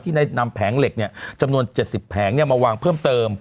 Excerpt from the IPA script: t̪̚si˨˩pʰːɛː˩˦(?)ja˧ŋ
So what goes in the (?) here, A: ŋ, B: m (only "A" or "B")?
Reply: A